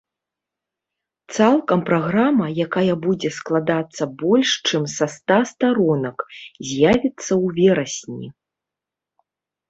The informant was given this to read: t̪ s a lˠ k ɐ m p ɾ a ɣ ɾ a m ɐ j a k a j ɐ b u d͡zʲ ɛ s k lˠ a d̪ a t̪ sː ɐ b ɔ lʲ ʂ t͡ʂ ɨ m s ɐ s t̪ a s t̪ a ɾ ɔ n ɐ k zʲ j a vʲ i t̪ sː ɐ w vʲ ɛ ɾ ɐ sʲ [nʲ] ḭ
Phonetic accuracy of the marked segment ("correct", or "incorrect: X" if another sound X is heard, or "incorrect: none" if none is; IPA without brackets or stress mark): correct